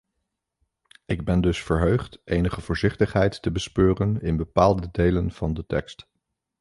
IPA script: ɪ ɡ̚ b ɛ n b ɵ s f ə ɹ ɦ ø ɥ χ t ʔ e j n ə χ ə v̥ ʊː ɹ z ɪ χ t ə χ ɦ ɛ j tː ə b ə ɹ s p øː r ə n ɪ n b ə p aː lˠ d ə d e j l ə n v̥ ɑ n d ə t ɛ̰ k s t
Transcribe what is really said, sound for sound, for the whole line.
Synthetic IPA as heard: ɪ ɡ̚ b ɛ n d ɵ s f ə ɹ ɦ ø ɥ χ t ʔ e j n ə χ ə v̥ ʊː ɹ z ɪ χ t ə χ ɦ ɛ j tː ə b ə s p øː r ə n ɪ n b ə p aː lˠ d ə d e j l ə n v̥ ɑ n d ə t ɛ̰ k s t